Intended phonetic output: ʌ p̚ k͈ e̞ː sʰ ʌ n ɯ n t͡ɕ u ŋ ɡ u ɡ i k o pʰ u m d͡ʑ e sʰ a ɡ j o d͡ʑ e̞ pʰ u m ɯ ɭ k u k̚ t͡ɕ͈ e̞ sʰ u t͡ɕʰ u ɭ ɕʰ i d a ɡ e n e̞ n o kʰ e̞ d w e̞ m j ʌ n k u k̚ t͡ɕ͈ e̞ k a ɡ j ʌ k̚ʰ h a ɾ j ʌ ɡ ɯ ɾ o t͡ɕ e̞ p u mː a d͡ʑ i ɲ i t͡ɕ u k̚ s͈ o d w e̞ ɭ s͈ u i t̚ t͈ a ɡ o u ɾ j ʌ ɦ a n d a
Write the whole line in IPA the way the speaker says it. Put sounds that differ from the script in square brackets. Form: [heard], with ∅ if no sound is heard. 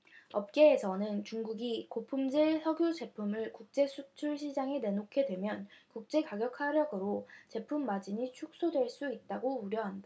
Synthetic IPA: ʌ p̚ k͈ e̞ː sʰ ʌ n ɯ n t͡ɕ u ŋ ɡ u ɡ i k o pʰ u m d͡ʑ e sʰ [ʌ] ɡ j o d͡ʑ e̞ pʰ u m ɯ ɭ k u k̚ t͡ɕ͈ e̞ sʰ u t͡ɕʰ u ɭ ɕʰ i [d͡ʑ] a [ŋ] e n e̞ n o kʰ e̞ d w e̞ m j ʌ n k u k̚ t͡ɕ͈ e̞ k a ɡ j ʌ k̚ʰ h a ɾ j ʌ ɡ ɯ ɾ o t͡ɕ e̞ [pʰ] u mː a d͡ʑ i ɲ i [t͡ɕʰ] u k̚ s͈ o d w e̞ ɭ s͈ u i t̚ t͈ a ɡ o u ɾ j ʌ ɦ a n d a